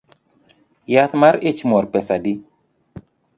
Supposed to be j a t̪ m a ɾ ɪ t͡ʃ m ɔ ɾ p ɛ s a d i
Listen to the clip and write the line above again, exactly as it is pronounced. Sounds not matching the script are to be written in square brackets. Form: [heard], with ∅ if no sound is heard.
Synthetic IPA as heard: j a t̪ m a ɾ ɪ t͡ʃ m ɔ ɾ p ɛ s a d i